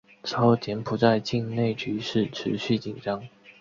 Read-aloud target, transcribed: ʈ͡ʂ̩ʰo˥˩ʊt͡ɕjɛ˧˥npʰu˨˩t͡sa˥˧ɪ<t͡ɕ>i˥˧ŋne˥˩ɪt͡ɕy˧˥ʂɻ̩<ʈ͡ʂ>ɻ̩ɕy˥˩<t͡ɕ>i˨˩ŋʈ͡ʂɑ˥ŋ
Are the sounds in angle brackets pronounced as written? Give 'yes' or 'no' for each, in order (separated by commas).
yes, no, yes